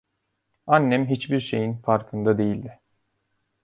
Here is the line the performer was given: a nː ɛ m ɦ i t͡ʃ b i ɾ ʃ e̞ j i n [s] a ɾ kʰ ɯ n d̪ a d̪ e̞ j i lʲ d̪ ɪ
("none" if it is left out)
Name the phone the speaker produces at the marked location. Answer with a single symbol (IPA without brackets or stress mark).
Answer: f